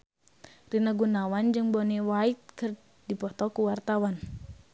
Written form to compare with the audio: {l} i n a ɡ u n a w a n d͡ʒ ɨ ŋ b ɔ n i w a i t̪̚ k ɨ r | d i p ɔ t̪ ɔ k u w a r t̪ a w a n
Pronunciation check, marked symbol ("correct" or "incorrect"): incorrect